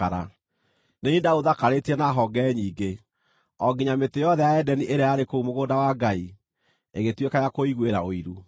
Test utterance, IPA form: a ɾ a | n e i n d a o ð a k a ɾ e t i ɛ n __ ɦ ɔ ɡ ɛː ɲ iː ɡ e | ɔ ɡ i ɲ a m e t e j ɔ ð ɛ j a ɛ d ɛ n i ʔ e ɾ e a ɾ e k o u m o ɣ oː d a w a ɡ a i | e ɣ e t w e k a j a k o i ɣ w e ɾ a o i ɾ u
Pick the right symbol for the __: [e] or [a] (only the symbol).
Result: a